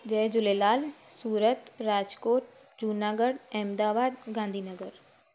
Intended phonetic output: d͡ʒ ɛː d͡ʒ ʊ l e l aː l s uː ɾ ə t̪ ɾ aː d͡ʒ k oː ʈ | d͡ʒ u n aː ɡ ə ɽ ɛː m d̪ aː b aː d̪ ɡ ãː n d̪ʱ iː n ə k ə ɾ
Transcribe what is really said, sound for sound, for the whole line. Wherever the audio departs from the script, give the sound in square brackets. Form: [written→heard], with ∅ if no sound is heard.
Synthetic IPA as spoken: d͡ʒ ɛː d͡ʒ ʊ l e l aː l s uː ɾ ə t̪ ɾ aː d͡ʒ k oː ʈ | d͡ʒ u n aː ɡ ə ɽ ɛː m d̪ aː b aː d̪ ɡ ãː n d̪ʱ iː n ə [k→ɡ] ə ɾ

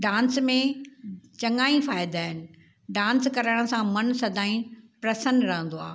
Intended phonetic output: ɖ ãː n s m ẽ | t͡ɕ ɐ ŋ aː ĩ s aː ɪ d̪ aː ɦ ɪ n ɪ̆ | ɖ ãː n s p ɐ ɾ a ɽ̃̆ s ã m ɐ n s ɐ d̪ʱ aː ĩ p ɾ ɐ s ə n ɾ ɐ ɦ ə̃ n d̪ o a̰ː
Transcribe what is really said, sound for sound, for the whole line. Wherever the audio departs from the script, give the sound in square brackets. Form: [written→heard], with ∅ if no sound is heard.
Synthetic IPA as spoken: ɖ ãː n s m ẽ | t͡ɕ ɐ ŋ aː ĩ [s→f] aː ɪ d̪ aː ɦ ɪ n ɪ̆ | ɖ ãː n s [p→k] ɐ ɾ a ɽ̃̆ s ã m ɐ n s ɐ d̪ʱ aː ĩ p ɾ ɐ s ə n ɾ ɐ ɦ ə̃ n d̪ o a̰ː

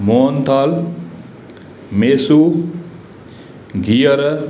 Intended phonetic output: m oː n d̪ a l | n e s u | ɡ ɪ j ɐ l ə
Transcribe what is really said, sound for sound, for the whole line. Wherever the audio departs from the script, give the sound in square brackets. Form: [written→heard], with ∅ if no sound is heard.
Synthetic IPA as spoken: m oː n [d̪→t̪] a l | [n→m] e s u | ɡ [ɪ→i] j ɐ [l→ɾ] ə

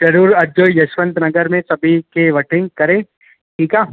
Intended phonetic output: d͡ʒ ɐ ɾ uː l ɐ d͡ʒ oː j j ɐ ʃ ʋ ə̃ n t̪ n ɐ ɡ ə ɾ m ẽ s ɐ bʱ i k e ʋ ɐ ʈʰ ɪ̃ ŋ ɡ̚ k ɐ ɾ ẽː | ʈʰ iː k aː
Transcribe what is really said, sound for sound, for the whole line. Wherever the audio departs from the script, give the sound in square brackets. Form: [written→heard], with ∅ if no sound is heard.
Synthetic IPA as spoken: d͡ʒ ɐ ɾ uː [l→ɾ] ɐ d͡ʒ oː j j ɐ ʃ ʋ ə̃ n t̪ n ɐ ɡ ə ɾ m ẽ s ɐ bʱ i k e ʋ ɐ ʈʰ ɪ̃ ŋ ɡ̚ k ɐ ɾ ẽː | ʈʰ iː k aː

